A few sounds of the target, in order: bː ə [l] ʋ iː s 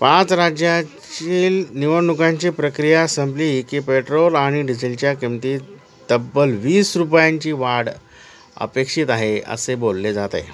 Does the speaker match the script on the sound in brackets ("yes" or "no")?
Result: yes